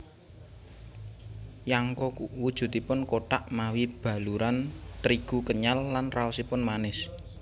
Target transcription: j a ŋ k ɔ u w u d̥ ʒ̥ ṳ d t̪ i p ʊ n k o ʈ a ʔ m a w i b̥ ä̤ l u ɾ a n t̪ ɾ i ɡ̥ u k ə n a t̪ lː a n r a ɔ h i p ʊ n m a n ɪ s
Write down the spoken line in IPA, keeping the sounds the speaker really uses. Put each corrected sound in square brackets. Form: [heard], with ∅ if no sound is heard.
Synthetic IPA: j a ŋ k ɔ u w u d̥ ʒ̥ ṳ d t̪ i p ʊ n k o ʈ a ʔ m a w i b̥ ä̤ l u ɾ a n t̪ ɾ i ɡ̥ u k ə [ɲ] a [∅] lː a n r a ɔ [s] i p ʊ n m a n ɪ s

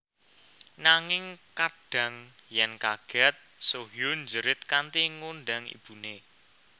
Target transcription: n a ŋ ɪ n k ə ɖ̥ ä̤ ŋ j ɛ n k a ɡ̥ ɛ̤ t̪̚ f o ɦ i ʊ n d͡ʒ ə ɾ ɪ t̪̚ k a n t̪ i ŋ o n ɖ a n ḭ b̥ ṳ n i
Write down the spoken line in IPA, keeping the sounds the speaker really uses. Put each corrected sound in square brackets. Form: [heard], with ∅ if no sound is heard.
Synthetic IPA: n a ŋ ɪ [ŋ] k [a] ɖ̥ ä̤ ŋ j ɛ n k a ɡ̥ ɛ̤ t̪̚ [s] o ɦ [j] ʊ n d͡ʒ ə ɾ ɪ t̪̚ k a n t̪ i ŋ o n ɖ a [ŋ] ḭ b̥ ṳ n [e]

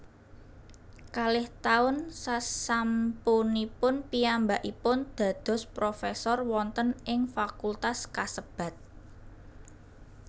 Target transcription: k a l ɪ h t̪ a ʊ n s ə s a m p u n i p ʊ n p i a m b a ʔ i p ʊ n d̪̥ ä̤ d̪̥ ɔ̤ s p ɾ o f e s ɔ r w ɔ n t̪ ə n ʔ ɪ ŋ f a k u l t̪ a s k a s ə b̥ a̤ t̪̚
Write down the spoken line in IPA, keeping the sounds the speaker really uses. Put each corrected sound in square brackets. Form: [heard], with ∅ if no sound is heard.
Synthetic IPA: k a l ɪ h t̪ a ʊ n s [a] s a m p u n i p ʊ n p i a m b a ʔ i p ʊ n d̪̥ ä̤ d̪̥ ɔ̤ s p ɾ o f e s ɔ r w ɔ n t̪ ə n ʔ ɪ ŋ f a k u l t̪ a s k a s ə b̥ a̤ t̪̚

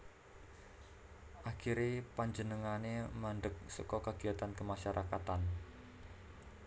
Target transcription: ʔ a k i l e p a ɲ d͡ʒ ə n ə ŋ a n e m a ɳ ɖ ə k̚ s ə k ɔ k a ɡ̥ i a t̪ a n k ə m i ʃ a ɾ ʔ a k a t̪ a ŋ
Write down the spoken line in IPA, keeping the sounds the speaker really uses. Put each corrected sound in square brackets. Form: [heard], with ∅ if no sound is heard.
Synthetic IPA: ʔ a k i [ɾ] e p a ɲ d͡ʒ ə n ə ŋ a n e m a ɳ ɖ ə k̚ s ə k ɔ k a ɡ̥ i a t̪ a n k ə m [a] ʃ a ɾ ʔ a k a t̪ a [n]

